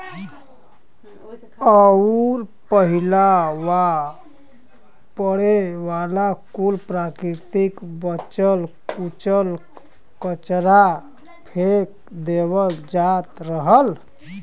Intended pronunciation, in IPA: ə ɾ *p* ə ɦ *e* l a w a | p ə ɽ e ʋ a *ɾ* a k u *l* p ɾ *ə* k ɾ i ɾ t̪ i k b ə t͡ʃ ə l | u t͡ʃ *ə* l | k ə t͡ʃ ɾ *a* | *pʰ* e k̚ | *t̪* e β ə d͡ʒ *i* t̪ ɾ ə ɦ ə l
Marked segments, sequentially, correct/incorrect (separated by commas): correct, incorrect, incorrect, correct, incorrect, correct, correct, correct, incorrect, incorrect